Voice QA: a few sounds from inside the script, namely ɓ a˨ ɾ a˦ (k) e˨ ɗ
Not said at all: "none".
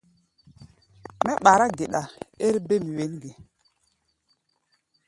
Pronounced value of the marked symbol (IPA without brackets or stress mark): ɡ